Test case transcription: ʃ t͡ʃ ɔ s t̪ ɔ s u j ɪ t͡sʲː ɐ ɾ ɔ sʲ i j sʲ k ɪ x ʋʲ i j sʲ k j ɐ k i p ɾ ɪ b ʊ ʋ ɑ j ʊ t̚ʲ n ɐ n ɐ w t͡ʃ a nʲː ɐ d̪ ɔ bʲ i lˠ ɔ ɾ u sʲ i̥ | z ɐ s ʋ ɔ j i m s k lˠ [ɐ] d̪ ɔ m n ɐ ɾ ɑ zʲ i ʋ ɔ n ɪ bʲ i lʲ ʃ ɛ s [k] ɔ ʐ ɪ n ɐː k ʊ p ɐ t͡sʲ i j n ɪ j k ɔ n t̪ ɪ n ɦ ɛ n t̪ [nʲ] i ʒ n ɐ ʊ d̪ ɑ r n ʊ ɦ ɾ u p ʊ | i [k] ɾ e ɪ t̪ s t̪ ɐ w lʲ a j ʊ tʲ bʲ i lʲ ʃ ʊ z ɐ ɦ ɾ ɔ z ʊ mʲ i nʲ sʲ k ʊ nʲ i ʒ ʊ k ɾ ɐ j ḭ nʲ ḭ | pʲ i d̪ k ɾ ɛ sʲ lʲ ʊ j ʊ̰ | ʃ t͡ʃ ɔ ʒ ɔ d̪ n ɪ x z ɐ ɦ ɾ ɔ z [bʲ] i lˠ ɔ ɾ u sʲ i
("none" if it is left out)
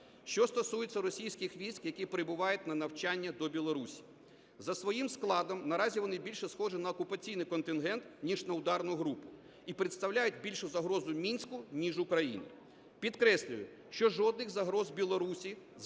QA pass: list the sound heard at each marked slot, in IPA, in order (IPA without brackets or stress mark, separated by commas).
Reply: ɑ, x, nʲ, p, bʲ